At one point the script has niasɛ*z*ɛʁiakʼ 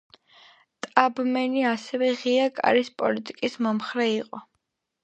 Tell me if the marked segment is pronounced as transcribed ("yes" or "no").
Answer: no